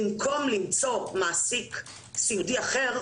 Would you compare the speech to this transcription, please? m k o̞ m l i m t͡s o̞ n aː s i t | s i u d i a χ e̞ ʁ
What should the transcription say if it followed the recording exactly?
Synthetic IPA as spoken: m k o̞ m l i m t͡s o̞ m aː s i k | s i u d i a χ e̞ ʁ